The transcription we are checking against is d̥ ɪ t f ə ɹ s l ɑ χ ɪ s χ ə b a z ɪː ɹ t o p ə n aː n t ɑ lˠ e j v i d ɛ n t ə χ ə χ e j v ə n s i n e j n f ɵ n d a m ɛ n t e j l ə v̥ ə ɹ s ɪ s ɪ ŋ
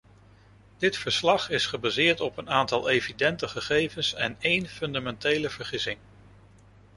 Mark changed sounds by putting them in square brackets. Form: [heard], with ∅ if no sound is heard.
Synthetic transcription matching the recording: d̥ ɪ t f ə ɹ s l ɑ χ ɪ s χ ə b a z ɪː ɹ t [ɔ] p ə n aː n t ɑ lˠ e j v i d ɛ n t ə χ ə χ e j v ə n s [ɛ] n e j n f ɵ n d a m ɛ n t e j l ə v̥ ə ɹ [χ] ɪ s ɪ ŋ